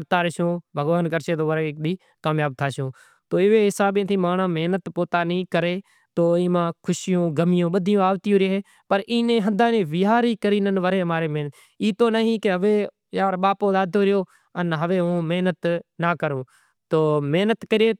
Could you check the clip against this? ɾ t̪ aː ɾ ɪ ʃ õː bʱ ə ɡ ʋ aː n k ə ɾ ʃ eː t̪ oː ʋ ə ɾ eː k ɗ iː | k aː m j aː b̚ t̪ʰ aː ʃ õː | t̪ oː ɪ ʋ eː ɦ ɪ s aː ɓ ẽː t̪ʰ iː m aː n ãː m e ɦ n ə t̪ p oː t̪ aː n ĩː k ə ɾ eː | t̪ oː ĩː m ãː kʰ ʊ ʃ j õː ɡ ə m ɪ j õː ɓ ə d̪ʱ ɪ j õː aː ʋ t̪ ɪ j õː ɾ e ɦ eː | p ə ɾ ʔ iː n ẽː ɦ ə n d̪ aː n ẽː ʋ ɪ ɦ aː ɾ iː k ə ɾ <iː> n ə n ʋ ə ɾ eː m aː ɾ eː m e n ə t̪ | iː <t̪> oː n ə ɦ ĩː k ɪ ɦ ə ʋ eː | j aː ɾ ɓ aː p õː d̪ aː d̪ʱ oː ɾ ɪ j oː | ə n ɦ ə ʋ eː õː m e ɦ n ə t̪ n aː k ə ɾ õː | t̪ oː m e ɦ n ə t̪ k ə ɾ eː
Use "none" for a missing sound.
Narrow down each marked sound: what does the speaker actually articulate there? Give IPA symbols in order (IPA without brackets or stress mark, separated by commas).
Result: iː, t̪